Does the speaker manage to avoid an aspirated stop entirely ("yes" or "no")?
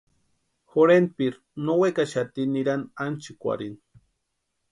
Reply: yes